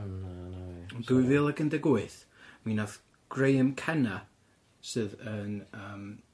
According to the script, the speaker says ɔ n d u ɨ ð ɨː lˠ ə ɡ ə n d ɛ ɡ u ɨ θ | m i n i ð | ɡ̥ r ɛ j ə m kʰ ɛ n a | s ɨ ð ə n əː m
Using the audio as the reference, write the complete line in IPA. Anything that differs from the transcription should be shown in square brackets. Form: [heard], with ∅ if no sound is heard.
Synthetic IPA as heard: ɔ n d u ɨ [v] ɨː lˠ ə ɡ ə n d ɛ ɡ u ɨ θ | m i n [a] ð | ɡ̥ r [e] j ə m kʰ ɛ n a | s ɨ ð ə n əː m